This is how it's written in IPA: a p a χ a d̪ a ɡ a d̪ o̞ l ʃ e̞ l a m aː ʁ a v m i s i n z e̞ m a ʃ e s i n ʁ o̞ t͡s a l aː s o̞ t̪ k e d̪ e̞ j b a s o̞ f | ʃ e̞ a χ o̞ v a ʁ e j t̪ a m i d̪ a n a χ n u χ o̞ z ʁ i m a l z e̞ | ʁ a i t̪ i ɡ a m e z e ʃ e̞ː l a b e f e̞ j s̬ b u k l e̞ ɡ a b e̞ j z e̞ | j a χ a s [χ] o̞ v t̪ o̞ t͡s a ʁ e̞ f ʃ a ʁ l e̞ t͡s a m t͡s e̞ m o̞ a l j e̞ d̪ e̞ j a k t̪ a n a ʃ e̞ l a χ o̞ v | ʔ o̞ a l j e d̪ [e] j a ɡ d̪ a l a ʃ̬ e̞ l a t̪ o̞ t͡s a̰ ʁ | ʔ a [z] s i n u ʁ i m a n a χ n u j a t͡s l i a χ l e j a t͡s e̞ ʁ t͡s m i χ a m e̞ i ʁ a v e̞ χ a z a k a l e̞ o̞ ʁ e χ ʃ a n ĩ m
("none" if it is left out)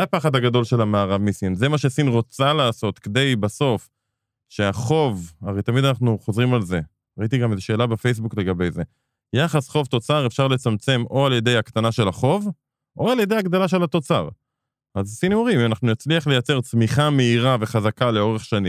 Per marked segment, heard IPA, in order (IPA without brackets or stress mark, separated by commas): χ, e, z